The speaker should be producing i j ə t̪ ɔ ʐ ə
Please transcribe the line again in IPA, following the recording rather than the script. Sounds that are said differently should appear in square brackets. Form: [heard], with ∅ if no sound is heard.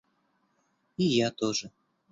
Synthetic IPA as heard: i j [a] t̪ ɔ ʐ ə

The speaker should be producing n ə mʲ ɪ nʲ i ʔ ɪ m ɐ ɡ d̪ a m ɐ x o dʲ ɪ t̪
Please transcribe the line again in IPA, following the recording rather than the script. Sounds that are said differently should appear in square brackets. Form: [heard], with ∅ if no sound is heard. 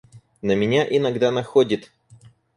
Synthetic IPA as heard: n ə mʲ ɪ nʲ [a] ʔ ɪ [n] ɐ ɡ d̪ a [n] ɐ x o dʲ ɪ t̪

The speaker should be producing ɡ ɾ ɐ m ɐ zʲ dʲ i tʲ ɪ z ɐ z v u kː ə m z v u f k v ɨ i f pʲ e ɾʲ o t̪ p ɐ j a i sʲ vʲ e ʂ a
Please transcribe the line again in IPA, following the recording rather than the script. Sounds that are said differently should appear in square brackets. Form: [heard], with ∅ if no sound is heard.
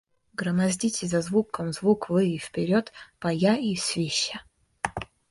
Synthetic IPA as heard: ɡ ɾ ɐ m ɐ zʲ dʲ i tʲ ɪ z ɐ z v u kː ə m z v u [∅] k v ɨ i f pʲ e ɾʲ o t̪ p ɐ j a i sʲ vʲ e [ɕ] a

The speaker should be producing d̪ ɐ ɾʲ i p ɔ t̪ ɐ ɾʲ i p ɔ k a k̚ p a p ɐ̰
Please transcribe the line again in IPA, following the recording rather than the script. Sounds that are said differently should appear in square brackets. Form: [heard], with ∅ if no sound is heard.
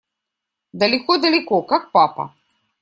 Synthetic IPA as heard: d̪ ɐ [lʲ] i [k] ɔ [d̪] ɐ [lʲ] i [k] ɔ k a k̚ p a p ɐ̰

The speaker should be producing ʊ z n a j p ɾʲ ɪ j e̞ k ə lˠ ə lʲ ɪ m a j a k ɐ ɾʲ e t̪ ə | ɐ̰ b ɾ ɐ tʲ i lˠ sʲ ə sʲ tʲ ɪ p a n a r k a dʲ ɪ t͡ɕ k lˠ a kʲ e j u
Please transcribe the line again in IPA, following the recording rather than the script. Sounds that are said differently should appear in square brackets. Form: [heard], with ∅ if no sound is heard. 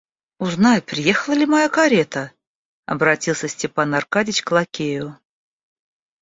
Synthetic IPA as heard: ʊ z n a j p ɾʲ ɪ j e̞ [x] ə lˠ ə lʲ ɪ m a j a k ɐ ɾʲ e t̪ ə | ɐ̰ b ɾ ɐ tʲ i lˠ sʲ ə sʲ tʲ ɪ p a n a r k a dʲ ɪ t͡ɕ k lˠ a kʲ e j [ʊ]

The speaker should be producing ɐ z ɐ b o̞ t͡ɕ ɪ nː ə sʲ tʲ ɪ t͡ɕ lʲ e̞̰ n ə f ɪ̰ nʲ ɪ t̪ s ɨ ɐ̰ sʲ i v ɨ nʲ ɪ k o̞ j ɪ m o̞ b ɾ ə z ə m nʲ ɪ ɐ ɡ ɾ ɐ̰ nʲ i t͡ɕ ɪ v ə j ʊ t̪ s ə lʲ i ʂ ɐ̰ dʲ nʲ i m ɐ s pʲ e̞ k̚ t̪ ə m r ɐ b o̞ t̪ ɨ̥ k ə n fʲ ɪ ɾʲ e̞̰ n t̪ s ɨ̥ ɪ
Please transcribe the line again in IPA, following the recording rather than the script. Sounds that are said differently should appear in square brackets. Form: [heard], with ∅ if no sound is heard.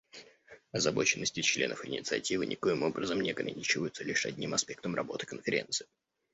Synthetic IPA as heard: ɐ z ɐ b o̞ t͡ɕ ɪ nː ə sʲ tʲ ɪ t͡ɕ lʲ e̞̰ n ə f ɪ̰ nʲ ɪ t̪ s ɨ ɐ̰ [tʲ] i v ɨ nʲ ɪ k o̞ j ɪ m o̞ b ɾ ə z ə m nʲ ɪ ɐ ɡ ɾ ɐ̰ nʲ i t͡ɕ ɪ v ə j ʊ t̪ s ə lʲ i ʂ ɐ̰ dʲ nʲ i m ɐ s pʲ e̞ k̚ t̪ ə m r ɐ b o̞ t̪ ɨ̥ k ə n fʲ ɪ ɾʲ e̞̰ n t̪ s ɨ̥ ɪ

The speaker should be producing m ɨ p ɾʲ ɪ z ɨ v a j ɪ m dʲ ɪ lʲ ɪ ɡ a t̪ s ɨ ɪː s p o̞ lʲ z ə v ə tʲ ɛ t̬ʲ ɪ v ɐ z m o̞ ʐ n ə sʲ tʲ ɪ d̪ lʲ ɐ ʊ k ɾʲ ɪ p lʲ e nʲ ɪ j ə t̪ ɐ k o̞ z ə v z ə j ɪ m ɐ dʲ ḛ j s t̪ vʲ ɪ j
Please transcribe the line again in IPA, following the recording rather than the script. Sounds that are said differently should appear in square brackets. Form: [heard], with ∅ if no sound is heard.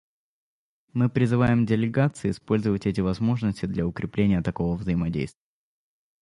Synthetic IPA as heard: m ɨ p ɾʲ ɪ z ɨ v a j ɪ m dʲ ɪ lʲ ɪ ɡ a t̪ s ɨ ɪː s p o̞ lʲ z ə v ə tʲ ɛ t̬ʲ ɪ v ɐ z m o̞ ʐ n ə sʲ tʲ ɪ d̪ lʲ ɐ ʊ k ɾʲ ɪ p lʲ e nʲ ɪ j ə t̪ ɐ k o̞ [v] ə v z ə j ɪ m ɐ dʲ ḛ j s t̪ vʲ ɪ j

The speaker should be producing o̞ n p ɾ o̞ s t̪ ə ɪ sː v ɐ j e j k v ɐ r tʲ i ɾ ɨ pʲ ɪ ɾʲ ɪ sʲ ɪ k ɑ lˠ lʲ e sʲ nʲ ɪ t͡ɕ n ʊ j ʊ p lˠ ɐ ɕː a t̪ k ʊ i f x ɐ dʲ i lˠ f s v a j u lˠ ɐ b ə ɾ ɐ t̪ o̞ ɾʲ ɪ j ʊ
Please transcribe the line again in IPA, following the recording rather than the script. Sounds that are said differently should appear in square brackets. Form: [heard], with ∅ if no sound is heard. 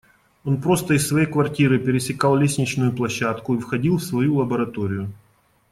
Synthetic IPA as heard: o̞ n p ɾ o̞ s t̪ ə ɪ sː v ɐ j e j k v ɐ r tʲ i ɾ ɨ pʲ ɪ ɾʲ ɪ sʲ ɪ k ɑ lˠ lʲ e sʲ nʲ ɪ t͡ɕ n ʊ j ʊ p lˠ ɐ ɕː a t̪ k ʊ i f x ɐ dʲ i lˠ f s v [ɐ] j u lˠ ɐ b ə ɾ ɐ t̪ o̞ ɾʲ ɪ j ʊ

